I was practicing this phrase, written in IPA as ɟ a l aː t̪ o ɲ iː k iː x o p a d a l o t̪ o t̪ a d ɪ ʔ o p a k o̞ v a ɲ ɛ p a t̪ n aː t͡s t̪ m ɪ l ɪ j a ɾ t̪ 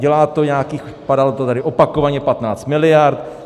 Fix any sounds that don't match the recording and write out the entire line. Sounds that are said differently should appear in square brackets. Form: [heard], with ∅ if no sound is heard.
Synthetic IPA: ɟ [ɛ] l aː t̪ o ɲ [aː] k iː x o p a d a l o t̪ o t̪ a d ɪ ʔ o p a k o̞ v a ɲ ɛ p a t̪ n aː t͡s t̪ m ɪ l ɪ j a ɾ t̪